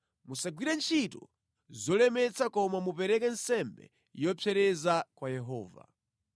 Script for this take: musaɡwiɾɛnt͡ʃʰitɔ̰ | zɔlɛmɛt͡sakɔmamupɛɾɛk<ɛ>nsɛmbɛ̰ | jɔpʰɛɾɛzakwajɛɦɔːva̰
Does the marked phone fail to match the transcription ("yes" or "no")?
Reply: no